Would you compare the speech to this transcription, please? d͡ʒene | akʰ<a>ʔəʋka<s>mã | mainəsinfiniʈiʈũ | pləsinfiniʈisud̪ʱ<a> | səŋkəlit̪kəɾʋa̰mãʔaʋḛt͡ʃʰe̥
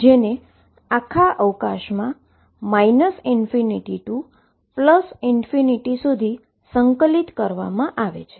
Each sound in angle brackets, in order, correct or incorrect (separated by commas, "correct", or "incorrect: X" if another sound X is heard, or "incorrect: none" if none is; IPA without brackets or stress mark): correct, incorrect: ʃ, incorrect: i